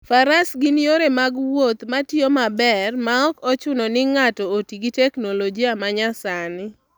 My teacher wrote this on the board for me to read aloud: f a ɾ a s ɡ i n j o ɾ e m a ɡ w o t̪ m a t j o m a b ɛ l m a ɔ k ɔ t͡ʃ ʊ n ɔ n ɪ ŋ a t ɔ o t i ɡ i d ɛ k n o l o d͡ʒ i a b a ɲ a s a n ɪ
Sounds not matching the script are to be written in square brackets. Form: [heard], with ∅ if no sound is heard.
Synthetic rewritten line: f a ɾ a s ɡ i n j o ɾ e m a ɡ w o t̪ m a t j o m a b ɛ [r] m a ɔ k ɔ t͡ʃ ʊ n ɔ n ɪ ŋ a t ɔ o t i ɡ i [t] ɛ k n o l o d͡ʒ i a [m] a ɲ a s a n ɪ